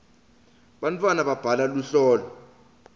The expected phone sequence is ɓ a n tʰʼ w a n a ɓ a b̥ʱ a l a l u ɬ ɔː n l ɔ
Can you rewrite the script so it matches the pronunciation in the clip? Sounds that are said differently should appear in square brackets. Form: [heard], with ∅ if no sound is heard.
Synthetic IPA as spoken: ɓ a n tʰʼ w a n a ɓ a b̥ʱ a l a l u ɬ ɔː [∅] l ɔ